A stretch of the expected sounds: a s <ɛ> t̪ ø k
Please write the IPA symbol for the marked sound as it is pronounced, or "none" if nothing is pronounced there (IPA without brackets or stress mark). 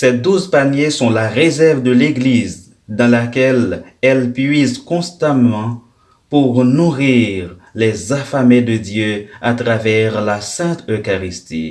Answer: ɛ̃